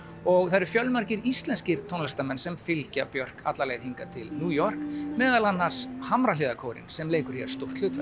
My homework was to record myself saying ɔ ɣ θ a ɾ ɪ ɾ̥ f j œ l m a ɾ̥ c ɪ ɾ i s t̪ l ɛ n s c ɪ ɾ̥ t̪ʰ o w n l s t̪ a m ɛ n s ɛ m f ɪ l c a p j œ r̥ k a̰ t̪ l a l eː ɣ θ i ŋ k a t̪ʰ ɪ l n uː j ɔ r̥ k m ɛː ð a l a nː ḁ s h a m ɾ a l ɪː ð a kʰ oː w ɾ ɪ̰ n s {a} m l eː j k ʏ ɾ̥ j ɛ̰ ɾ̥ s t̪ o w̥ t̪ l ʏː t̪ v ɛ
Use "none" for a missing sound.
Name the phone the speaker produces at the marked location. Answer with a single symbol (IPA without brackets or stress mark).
ɛ